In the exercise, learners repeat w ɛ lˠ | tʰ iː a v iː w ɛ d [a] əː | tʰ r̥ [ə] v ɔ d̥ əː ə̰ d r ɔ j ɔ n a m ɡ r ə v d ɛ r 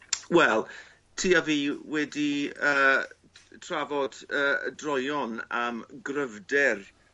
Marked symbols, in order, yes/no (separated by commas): no, no